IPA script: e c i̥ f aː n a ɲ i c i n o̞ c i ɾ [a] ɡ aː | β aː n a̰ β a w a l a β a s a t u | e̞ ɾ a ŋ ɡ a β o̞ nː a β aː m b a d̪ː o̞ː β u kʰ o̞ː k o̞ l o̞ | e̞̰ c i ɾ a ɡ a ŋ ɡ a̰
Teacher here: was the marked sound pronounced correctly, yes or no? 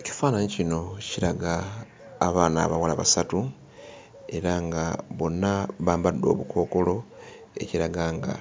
yes